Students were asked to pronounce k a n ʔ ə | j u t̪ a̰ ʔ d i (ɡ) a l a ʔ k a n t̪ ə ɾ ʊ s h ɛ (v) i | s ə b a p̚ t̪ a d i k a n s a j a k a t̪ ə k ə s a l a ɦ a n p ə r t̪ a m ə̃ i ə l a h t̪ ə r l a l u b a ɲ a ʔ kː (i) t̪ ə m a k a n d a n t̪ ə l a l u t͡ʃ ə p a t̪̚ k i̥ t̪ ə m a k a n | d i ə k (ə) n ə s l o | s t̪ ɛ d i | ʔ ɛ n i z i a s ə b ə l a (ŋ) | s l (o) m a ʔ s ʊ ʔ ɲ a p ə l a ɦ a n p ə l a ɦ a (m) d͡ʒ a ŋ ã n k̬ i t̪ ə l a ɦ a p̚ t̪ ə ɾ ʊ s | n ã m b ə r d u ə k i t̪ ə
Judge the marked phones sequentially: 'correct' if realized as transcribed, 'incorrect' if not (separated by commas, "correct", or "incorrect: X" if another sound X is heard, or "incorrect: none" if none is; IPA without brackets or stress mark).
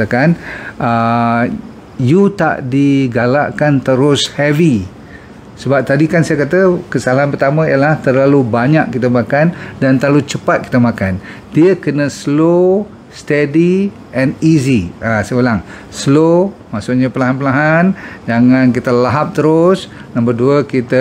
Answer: correct, correct, correct, correct, correct, correct, incorrect: n